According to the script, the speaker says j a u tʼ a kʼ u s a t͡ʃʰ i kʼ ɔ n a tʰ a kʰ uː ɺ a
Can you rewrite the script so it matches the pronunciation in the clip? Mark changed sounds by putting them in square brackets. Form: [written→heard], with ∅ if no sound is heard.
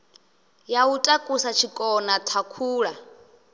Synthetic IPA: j a u tʼ a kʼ u s a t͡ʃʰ i kʼ ɔ n a tʰ a kʰ uː ɺ a